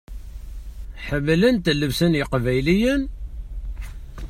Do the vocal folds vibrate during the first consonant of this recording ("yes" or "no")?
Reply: no